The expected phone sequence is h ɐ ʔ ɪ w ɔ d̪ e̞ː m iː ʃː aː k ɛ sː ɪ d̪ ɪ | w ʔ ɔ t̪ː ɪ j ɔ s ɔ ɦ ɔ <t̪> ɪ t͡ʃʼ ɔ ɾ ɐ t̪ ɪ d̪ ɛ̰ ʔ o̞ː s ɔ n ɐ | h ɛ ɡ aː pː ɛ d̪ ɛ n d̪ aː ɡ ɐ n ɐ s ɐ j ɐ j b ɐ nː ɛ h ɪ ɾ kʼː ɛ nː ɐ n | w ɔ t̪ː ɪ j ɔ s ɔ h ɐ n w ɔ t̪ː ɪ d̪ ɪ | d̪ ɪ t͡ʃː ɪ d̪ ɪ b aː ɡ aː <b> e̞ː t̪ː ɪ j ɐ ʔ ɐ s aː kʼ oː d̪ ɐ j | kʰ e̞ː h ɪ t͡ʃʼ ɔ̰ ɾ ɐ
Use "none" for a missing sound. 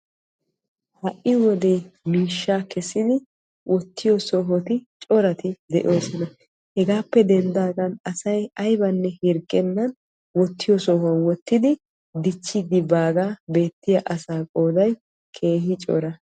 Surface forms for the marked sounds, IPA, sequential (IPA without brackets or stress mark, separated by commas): t̪, b